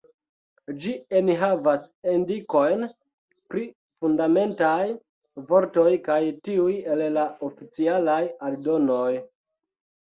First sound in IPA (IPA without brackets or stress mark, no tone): d͡ʒ